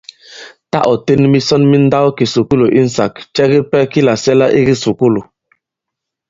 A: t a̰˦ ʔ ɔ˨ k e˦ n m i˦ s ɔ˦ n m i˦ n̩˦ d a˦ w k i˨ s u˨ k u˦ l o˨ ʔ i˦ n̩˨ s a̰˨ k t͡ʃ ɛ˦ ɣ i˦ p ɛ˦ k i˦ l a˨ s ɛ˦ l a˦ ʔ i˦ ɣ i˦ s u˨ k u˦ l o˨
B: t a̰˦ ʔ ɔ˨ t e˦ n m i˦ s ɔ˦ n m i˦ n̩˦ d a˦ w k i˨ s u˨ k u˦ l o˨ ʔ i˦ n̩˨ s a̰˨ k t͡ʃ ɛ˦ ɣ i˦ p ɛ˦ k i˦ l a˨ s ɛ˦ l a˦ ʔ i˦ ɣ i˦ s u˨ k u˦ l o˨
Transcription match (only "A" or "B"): B